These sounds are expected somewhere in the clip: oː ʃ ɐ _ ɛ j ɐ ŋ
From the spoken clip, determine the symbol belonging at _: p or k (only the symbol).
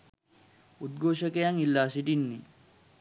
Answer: k